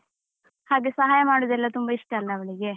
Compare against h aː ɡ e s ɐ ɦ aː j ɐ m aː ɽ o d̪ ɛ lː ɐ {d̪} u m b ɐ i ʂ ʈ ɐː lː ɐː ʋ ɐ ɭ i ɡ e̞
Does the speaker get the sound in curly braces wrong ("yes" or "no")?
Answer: yes